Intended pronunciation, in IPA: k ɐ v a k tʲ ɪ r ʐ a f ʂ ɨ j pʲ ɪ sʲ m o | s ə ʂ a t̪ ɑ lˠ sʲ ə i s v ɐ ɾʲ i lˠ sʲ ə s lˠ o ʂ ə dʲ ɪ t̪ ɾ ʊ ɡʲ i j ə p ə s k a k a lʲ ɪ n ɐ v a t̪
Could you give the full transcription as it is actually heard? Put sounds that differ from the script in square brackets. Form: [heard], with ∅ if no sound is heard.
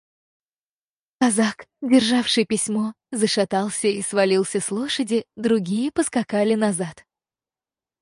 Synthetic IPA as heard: k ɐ [z] a k [dʲ] ɪ r ʐ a f ʂ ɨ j pʲ ɪ sʲ m o | [z] ə ʂ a t̪ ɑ lˠ sʲ ə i s v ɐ [lʲ] i lˠ sʲ ə s lˠ o ʂ ə dʲ ɪ [d̪] ɾ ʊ ɡʲ i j ə p ə s k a k a lʲ ɪ n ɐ [z] a t̪